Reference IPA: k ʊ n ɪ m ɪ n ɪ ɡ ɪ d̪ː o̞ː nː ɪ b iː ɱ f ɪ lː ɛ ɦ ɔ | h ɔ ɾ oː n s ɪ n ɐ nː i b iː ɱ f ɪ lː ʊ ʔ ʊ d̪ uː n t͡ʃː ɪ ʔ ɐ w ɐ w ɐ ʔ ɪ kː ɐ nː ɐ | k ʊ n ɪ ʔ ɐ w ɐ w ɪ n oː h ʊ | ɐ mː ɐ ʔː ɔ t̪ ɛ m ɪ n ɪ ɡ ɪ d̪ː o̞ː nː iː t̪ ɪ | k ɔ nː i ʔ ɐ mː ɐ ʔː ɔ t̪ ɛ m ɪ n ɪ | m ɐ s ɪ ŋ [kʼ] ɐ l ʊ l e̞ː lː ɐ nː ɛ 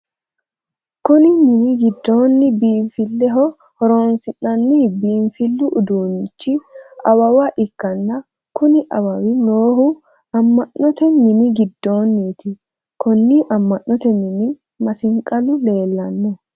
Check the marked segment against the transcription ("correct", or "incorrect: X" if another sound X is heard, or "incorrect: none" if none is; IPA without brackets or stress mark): correct